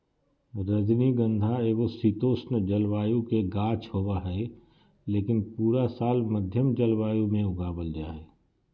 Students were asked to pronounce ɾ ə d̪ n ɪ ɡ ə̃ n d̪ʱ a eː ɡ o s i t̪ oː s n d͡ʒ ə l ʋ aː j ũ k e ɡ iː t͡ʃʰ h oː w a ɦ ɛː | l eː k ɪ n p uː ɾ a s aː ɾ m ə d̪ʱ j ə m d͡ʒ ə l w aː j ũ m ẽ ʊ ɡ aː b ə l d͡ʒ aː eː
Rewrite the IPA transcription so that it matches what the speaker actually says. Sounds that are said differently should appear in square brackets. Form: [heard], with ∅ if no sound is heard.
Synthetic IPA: ɾ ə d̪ n [i] ɡ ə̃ n d̪ʱ a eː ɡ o s i t̪ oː s n d͡ʒ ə l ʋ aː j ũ k e ɡ [aː] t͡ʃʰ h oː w a ɦ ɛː | l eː k ɪ n p uː ɾ a s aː [l] m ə d̪ʱ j ə m d͡ʒ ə l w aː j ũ m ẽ ʊ ɡ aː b ə l d͡ʒ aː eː